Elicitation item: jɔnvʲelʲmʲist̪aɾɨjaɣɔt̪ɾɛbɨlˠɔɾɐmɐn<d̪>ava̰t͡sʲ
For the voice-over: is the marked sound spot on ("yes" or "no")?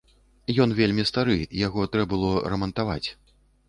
no